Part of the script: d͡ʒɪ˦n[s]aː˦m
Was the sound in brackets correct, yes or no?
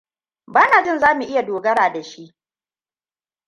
no